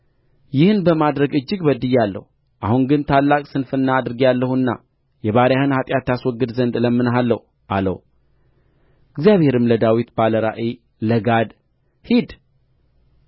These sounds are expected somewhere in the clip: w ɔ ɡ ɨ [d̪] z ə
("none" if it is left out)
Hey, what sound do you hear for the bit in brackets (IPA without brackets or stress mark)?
d̪